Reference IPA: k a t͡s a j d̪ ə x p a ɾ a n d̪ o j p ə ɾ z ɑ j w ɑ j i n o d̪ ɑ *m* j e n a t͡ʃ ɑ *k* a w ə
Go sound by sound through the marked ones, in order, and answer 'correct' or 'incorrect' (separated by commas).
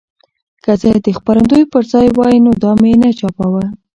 correct, incorrect